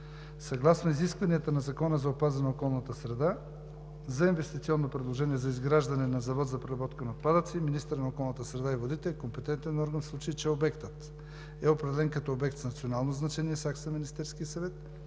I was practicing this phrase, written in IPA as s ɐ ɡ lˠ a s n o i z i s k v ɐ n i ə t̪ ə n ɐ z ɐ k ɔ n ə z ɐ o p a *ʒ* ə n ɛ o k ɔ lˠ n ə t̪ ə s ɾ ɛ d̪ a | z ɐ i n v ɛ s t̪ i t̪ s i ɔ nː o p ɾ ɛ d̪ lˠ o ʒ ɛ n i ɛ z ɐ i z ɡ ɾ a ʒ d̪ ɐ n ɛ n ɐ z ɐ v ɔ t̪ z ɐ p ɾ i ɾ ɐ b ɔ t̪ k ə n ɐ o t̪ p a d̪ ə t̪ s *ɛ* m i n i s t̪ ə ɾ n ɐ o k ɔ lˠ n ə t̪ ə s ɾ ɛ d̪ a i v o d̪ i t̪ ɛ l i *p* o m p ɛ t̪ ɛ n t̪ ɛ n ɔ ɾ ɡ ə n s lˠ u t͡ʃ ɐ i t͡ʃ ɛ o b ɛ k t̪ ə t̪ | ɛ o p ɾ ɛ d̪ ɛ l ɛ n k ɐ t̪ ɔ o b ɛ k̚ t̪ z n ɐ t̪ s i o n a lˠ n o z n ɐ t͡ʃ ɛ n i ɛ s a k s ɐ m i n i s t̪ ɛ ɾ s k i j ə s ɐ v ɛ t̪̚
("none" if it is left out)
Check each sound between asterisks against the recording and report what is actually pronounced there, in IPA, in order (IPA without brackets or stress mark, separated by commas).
z, i, k